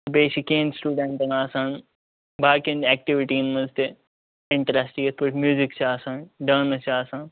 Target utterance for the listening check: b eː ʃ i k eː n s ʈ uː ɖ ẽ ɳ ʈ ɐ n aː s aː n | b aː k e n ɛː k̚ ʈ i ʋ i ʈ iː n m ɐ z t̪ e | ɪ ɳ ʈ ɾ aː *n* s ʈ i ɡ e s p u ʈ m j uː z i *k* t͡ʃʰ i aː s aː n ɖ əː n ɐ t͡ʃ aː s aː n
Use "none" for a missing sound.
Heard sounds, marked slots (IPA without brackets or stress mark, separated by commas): none, k